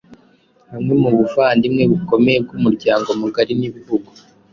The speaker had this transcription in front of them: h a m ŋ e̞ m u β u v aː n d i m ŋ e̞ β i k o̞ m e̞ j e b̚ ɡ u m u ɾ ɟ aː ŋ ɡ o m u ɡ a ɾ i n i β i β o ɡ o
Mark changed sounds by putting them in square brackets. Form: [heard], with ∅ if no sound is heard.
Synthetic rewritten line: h a m ŋ e̞ m u β u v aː n d i m ŋ e̞ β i k o̞ m e̞ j e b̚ ɡ u m u ɾ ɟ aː ŋ ɡ o m u ɡ a ɾ i n i β i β [u] ɡ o